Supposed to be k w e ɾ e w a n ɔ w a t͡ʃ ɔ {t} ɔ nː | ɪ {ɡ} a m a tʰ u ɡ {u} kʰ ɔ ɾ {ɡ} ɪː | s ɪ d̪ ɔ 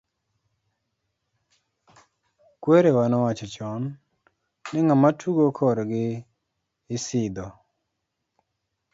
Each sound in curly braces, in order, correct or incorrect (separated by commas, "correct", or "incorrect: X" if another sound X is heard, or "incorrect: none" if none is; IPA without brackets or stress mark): incorrect: t͡ʃ, incorrect: ŋ, incorrect: o, correct